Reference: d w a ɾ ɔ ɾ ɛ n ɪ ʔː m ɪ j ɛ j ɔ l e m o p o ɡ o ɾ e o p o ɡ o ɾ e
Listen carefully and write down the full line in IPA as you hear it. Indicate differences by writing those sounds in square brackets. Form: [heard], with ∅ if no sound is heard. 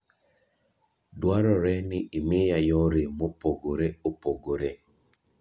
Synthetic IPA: d w a ɾ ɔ ɾ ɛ n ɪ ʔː m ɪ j [a] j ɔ [ɾ] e m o p o ɡ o ɾ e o p o ɡ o ɾ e